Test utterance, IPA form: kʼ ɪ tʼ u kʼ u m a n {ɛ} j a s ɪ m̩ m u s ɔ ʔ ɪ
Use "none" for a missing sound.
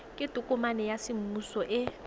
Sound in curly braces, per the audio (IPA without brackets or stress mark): ɛ